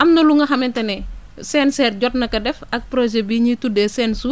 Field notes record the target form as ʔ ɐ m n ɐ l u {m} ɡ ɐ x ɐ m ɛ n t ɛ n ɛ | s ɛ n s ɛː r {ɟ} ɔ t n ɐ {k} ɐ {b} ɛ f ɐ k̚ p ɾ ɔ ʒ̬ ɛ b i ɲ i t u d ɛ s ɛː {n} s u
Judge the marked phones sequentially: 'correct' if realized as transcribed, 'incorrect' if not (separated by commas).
incorrect, correct, correct, incorrect, correct